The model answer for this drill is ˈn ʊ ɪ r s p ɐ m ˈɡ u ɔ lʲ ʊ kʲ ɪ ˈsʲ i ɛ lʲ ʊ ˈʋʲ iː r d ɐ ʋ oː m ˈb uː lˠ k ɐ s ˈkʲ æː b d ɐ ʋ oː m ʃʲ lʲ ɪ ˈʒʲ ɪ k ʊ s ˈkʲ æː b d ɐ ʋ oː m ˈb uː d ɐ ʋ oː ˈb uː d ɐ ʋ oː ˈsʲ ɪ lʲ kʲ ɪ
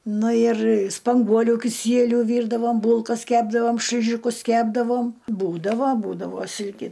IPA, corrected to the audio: ˈn ʊ ɪ r s p ɐ ŋ ˈɡ u ɔ lʲ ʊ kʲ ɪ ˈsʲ i ɛ lʲ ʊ ˈʋʲ iː r d ɐ ʋ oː m ˈb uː lˠ k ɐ s ˈkʲ æː b d ɐ ʋ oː m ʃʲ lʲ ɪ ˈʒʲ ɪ k ʊ s ˈkʲ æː b d ɐ ʋ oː m ˈb uː d ɐ ʋ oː ˈb uː d ɐ ʋ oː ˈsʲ ɪ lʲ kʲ ɪ